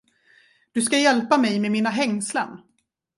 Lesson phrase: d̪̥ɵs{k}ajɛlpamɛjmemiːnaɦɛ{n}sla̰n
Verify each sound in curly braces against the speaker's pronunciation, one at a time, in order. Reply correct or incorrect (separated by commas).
correct, incorrect